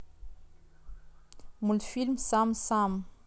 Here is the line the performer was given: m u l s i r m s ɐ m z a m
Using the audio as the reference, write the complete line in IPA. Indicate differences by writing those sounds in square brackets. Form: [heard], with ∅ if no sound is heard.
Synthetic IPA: m u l [f] i [l] m s [a] m [s] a m